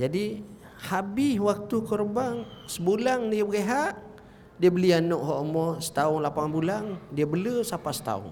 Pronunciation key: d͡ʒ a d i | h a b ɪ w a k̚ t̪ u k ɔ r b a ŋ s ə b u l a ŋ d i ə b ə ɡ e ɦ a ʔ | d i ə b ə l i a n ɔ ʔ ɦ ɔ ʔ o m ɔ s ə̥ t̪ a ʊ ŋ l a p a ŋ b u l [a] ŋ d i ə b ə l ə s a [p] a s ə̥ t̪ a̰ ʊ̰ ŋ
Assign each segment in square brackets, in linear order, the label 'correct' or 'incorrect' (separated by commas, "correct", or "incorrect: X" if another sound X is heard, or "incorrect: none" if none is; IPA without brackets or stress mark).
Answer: correct, correct